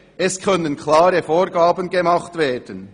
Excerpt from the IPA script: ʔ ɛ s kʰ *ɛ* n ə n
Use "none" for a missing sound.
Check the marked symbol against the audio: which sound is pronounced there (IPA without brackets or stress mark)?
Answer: œ